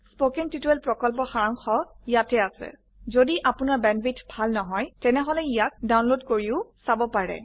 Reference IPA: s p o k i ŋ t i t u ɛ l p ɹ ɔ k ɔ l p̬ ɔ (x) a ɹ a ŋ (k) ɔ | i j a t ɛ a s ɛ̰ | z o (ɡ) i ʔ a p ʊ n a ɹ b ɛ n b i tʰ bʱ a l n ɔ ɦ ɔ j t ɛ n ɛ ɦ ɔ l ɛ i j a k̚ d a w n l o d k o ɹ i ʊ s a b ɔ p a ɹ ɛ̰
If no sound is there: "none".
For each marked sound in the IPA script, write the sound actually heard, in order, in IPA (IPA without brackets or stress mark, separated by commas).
x, x, d